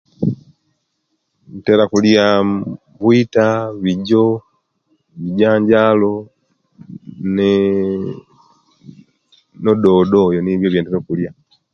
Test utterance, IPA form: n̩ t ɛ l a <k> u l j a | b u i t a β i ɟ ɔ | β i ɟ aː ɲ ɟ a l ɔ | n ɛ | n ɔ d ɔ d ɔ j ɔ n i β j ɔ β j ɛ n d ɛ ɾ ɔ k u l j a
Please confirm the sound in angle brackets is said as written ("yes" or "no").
yes